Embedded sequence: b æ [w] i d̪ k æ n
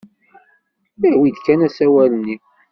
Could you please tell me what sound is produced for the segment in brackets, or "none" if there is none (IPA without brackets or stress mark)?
w